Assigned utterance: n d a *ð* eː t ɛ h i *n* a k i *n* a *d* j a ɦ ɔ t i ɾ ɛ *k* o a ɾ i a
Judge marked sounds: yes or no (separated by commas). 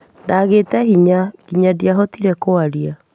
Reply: no, no, no, yes, yes